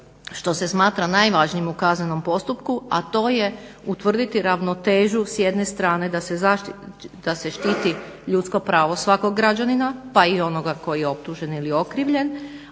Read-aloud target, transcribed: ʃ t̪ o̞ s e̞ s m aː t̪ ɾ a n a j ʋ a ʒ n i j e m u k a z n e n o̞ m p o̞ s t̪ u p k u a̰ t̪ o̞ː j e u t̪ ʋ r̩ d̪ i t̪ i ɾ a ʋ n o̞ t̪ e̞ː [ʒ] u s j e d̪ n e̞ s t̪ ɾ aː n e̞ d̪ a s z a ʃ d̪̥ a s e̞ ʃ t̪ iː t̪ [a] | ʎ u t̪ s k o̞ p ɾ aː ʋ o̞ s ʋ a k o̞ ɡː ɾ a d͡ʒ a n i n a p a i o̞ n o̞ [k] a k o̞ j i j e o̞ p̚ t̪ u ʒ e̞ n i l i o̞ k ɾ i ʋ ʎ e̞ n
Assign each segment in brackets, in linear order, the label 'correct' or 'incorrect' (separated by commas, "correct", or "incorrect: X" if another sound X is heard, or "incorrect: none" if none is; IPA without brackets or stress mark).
correct, incorrect: i, incorrect: ɡ